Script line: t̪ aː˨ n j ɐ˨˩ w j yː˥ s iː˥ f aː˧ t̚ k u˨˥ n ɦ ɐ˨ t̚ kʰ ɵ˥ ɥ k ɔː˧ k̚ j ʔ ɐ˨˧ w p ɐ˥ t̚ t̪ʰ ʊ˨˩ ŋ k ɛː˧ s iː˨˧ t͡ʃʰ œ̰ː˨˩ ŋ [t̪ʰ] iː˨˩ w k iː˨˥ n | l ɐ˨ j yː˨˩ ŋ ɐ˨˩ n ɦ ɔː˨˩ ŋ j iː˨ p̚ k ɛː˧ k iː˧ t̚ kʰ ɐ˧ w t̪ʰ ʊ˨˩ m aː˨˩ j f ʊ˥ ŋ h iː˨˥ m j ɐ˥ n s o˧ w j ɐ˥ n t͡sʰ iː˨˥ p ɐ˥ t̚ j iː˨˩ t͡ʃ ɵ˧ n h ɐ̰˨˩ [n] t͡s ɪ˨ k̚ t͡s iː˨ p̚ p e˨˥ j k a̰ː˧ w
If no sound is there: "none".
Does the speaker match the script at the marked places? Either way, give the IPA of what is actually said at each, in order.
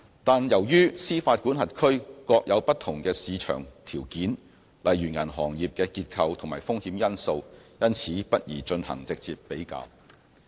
t̪ʰ, ŋ

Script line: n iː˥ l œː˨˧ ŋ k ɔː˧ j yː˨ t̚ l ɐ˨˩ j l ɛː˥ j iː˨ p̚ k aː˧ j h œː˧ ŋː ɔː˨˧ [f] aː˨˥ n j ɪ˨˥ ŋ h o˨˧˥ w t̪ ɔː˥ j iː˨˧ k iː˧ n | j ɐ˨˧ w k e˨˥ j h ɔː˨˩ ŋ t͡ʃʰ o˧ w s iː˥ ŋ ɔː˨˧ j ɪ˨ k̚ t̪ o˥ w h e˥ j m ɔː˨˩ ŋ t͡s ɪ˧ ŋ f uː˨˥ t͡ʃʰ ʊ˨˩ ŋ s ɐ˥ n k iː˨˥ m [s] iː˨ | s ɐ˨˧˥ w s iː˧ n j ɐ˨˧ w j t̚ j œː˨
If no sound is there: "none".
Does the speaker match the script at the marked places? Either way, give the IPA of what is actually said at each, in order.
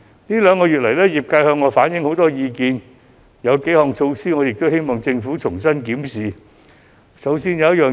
f, s

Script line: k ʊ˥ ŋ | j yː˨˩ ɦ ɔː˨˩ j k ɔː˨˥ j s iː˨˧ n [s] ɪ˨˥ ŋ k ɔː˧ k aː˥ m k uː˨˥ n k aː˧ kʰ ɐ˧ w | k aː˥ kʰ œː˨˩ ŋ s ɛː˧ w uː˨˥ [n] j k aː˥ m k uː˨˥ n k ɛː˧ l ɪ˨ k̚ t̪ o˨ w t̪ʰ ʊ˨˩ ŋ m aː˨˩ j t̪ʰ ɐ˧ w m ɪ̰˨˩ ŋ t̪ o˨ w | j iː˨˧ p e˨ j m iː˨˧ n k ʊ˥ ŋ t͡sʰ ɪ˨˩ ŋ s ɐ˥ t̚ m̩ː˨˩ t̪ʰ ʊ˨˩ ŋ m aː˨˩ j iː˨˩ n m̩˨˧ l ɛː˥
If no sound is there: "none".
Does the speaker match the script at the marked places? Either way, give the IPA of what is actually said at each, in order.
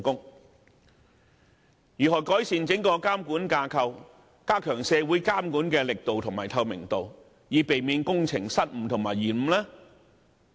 t͡s, none

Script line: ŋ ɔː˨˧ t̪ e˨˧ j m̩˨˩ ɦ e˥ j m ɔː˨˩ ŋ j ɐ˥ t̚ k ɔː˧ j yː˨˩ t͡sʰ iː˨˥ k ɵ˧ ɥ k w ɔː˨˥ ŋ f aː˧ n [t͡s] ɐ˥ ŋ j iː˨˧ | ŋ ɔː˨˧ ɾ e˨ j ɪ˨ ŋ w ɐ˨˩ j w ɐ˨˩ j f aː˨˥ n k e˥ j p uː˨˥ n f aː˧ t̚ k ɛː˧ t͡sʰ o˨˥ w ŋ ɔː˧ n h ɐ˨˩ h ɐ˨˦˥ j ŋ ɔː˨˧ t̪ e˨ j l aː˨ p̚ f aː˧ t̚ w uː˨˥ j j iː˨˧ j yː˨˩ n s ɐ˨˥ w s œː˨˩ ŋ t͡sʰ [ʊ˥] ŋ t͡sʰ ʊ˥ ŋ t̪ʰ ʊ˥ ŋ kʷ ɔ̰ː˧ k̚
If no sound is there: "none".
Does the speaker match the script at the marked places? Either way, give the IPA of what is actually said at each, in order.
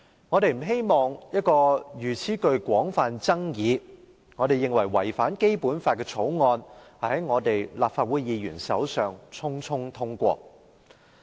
t͡s, ʊ˥

